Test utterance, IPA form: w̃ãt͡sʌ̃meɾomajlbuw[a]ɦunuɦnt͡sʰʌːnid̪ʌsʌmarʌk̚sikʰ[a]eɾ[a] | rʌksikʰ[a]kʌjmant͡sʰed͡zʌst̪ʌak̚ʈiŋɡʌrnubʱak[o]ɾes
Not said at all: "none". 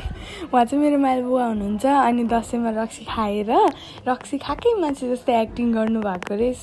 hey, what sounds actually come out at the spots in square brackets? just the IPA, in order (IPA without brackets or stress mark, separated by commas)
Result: a, a, ʌ, a, o